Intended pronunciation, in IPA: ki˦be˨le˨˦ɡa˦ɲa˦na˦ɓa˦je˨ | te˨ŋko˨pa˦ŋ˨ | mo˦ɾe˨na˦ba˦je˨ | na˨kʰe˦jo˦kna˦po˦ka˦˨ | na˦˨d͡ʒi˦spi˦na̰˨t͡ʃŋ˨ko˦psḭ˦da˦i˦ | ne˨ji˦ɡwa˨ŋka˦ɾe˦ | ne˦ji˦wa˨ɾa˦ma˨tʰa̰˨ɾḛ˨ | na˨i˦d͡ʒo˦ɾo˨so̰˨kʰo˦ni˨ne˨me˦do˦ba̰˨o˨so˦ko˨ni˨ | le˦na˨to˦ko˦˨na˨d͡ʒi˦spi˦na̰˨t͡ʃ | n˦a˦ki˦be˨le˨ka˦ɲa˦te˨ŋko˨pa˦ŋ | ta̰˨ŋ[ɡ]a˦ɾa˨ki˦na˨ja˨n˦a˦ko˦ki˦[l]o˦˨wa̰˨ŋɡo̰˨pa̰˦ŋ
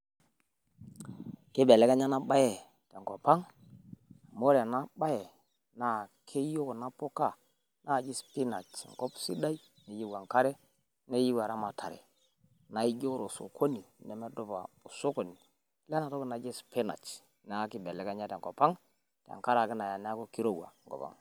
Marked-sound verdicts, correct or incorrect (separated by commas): incorrect, incorrect